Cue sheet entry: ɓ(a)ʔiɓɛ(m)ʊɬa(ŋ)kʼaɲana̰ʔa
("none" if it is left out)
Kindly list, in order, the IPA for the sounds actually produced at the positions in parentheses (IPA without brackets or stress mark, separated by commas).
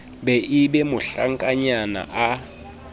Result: ɛ, m, ŋ